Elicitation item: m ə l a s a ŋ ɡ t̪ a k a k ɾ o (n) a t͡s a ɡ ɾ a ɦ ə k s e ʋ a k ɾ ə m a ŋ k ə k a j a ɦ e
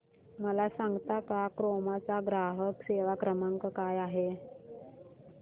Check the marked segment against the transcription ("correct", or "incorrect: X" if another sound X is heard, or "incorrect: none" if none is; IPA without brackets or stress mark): incorrect: m